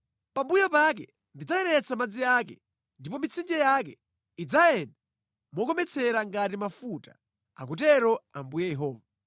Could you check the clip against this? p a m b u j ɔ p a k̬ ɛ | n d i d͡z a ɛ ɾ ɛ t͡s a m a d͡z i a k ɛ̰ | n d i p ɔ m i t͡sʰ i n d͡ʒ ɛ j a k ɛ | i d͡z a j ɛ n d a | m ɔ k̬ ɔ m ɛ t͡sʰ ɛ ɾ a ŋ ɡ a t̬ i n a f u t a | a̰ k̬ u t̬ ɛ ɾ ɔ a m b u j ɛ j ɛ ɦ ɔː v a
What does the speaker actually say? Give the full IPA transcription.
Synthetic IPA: p a m b u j ɔ p a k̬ ɛ | n d i d͡z a ɛ ɾ ɛ t͡s a m a d͡z i a k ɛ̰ | n d i p ɔ m i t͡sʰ i n d͡ʒ ɛ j a k ɛ | i d͡z a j ɛ n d a | m ɔ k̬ ɔ m ɛ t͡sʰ ɛ ɾ a ŋ ɡ a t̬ i m a f u t a | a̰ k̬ u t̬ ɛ ɾ ɔ a m b u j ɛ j ɛ ɦ ɔː v a